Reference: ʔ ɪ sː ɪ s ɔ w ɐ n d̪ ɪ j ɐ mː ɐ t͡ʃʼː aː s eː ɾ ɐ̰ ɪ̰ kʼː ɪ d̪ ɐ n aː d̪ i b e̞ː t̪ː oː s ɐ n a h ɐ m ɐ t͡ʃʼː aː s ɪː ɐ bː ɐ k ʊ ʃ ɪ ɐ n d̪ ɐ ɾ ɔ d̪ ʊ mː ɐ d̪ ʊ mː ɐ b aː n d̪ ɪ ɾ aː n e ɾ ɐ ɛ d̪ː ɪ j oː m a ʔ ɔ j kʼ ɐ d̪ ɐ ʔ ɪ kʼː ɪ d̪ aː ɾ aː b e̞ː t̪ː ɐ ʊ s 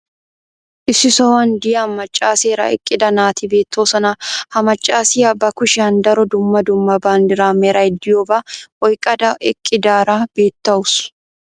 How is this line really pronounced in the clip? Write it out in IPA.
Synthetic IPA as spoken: ʔ ɪ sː ɪ s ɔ w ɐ n d̪ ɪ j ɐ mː ɐ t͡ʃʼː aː s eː ɾ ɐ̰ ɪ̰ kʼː ɪ d̪ ɐ n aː t̪ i b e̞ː t̪ː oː s ɐ n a h ɐ m ɐ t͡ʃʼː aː s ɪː ɐ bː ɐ k ʊ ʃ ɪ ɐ n d̪ ɐ ɾ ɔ d̪ ʊ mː ɐ d̪ ʊ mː ɐ b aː n d̪ ɪ ɾ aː m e ɾ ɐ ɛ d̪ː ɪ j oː b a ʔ ɔ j kʼ ɐ d̪ ɐ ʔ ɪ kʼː ɪ d̪ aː ɾ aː b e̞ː t̪ː ɐ ʊ s